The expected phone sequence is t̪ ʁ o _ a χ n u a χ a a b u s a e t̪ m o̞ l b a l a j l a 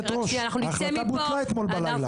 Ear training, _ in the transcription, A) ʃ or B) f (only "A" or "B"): A